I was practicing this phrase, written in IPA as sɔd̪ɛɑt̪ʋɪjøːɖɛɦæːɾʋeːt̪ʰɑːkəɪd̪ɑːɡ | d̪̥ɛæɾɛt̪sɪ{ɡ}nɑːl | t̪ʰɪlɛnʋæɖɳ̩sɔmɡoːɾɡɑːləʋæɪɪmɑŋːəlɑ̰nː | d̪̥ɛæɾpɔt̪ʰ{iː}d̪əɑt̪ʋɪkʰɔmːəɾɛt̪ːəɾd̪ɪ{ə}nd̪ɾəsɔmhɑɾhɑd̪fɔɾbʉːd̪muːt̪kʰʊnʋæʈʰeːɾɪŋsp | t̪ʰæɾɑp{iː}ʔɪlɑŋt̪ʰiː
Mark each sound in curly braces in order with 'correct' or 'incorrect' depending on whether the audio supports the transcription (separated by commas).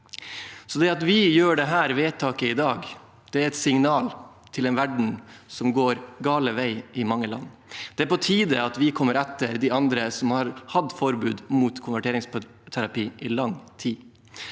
incorrect, correct, incorrect, correct